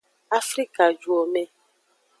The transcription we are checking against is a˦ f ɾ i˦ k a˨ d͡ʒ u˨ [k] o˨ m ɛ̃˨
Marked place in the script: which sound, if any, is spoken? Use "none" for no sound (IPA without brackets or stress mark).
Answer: none